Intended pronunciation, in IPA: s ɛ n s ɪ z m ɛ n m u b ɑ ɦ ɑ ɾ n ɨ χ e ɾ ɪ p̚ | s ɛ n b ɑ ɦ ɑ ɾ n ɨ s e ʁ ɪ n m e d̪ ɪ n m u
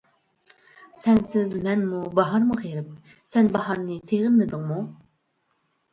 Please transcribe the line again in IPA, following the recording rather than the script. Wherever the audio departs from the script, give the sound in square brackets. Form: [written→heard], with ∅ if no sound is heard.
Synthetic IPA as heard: s ɛ n s ɪ z m ɛ n m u b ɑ ɦ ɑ ɾ [n→m] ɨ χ e ɾ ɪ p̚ | s ɛ n b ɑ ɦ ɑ ɾ n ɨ s e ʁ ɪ n m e d̪ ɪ [n→ŋ] m u